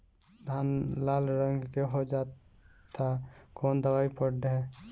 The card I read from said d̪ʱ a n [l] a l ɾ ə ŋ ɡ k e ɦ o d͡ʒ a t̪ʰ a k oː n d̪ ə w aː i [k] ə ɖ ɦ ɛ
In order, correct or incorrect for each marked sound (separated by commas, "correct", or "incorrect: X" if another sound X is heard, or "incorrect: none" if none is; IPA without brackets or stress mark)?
correct, incorrect: p